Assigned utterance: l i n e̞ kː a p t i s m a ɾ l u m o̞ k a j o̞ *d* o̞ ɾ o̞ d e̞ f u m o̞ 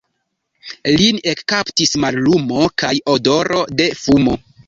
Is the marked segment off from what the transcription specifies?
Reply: no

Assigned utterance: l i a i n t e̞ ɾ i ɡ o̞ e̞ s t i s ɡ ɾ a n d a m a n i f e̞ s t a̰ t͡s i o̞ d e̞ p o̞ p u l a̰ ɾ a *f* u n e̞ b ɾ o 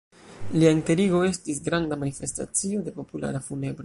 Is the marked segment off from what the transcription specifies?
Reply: no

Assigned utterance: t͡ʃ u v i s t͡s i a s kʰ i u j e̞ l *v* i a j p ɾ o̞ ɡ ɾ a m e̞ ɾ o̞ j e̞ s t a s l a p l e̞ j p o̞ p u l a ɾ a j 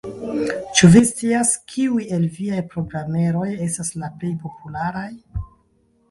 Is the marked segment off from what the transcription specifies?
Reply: no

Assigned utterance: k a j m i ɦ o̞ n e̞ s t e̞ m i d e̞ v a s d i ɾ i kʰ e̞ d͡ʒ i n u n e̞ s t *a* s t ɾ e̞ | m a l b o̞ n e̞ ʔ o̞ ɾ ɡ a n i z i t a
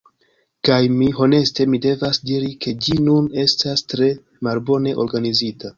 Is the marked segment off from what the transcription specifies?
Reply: no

